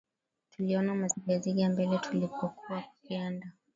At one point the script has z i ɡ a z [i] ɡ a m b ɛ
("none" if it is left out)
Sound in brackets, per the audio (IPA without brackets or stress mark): i